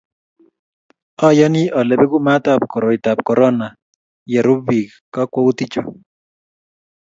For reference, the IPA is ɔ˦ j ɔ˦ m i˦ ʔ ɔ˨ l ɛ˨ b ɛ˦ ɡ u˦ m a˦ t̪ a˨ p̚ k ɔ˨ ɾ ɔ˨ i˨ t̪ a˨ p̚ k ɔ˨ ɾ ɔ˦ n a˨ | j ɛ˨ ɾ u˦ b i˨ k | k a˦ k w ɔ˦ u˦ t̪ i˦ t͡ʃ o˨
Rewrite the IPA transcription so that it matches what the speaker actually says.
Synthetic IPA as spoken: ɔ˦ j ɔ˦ n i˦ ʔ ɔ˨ l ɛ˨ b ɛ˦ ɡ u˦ m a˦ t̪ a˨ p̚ k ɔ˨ ɾ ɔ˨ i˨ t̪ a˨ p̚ k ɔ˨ ɾ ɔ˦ n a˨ | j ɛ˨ ɾ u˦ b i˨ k | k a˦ k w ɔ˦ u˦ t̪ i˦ t͡ʃ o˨